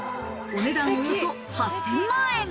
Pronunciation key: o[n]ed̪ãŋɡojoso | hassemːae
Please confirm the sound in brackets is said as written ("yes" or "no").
yes